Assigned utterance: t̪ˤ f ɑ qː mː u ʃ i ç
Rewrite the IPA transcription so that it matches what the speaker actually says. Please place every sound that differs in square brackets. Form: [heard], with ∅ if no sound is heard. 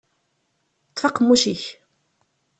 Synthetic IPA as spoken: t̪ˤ f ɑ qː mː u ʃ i ç